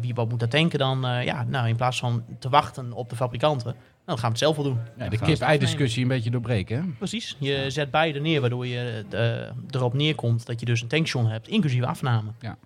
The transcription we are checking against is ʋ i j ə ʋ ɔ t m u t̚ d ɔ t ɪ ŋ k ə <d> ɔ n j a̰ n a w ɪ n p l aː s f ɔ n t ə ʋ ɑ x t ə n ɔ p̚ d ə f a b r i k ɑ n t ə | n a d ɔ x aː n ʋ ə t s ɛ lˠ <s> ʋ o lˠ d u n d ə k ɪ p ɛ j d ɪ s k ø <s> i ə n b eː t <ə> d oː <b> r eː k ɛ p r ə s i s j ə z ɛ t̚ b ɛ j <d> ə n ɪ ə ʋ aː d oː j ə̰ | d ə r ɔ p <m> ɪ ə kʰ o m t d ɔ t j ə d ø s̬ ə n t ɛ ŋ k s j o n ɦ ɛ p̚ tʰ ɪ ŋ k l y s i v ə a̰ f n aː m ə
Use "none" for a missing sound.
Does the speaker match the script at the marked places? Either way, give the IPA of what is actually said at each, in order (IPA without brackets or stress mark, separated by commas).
d, f, s, ə, b, d, n